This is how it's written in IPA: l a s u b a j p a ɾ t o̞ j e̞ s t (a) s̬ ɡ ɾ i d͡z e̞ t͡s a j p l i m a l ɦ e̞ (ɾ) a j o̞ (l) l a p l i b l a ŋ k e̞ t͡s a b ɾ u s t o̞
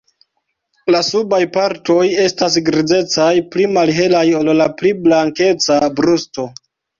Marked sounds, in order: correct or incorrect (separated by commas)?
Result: correct, incorrect, correct